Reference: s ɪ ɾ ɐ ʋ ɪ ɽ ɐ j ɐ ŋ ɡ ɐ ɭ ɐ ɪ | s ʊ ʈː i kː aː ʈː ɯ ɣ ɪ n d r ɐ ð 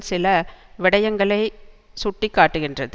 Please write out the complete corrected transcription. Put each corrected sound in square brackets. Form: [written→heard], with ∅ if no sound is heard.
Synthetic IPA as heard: s ɪ [ɾ→l] ɐ ʋ ɪ ɽ ɐ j ɐ ŋ ɡ ɐ ɭ ɐ ɪ | s ʊ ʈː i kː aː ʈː ɯ ɣ ɪ n d r ɐ ð